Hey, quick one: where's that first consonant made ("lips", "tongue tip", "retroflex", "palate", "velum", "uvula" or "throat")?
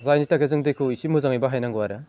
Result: tongue tip